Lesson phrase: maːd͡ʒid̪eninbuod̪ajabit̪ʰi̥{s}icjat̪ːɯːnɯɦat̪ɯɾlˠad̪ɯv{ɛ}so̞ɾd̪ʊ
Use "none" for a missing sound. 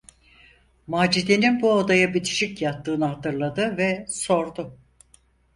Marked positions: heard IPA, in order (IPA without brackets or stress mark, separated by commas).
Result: ʃ, ɛ